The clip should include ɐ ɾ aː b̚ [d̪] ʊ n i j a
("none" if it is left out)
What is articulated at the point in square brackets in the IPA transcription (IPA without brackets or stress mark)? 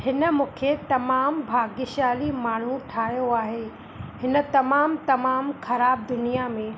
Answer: d̪